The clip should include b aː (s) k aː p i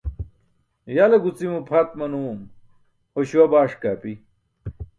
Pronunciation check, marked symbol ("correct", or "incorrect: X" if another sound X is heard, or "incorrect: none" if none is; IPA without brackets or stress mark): incorrect: ʂ